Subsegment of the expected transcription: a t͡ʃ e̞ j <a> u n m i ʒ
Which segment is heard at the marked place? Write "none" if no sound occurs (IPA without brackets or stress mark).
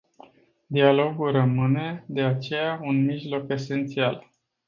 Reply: a